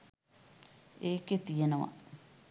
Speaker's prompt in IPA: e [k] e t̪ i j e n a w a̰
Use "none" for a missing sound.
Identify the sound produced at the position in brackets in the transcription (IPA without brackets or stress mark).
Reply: k